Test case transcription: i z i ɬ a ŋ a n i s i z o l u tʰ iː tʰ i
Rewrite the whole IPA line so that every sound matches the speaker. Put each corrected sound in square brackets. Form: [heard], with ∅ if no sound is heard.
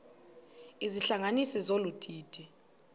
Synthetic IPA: i z i ɬ a ŋ a n i s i z o l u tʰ iː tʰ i

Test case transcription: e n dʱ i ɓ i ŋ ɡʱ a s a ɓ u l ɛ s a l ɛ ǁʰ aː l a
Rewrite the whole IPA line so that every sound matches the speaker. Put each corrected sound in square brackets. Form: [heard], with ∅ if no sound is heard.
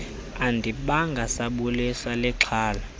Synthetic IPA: [a] n dʱ i ɓ [a] ŋ ɡʱ a s a ɓ u l [i] s a l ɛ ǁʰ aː l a

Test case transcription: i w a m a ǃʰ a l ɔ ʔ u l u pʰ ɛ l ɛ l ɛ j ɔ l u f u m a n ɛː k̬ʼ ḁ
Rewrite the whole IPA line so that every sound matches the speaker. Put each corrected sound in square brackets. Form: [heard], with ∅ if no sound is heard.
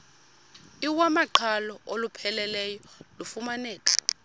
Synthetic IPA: i w a m a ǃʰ a l ɔ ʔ [o] l u pʰ ɛ l ɛ l ɛ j ɔ l u f u m a n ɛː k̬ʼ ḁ

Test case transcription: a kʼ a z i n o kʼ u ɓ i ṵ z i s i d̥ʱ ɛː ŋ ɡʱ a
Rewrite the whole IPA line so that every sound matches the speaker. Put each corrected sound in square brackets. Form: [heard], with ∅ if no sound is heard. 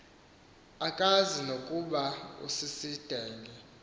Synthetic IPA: a kʼ a z i n o kʼ u ɓ [a] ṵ [s] i s i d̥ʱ ɛː ŋ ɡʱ [ɛ]

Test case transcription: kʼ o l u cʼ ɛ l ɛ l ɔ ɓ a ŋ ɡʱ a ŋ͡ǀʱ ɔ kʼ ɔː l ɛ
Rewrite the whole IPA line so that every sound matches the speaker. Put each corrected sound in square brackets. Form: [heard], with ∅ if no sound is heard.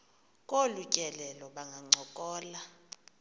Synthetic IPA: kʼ o l u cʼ ɛ l ɛ l ɔ ɓ a ŋ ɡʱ a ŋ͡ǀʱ ɔ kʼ ɔː l [a]

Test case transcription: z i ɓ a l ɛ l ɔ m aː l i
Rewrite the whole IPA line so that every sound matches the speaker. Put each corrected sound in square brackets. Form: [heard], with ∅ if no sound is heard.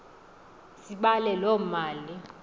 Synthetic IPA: [s] i ɓ a l ɛ l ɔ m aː l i

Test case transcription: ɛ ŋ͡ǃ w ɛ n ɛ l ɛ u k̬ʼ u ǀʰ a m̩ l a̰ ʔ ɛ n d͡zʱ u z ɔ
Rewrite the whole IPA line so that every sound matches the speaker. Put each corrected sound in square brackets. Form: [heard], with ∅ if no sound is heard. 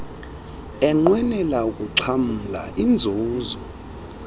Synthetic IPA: ɛ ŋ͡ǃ w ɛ n ɛ l [a] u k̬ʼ u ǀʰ a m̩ l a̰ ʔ [i] n d͡zʱ [uː] z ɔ

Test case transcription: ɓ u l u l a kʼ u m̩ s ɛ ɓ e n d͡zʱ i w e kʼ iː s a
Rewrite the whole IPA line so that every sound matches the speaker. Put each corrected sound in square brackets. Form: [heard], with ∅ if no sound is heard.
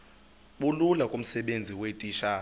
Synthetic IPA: ɓ u l u l a kʼ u m̩ s ɛ ɓ e n d͡zʱ i w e [tʼ] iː [ʃ] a

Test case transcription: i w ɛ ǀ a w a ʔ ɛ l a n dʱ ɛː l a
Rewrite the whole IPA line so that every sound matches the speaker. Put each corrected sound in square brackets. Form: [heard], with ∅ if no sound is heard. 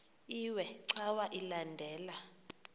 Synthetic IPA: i w ɛ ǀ a w a ʔ [i] l a n dʱ ɛː l a

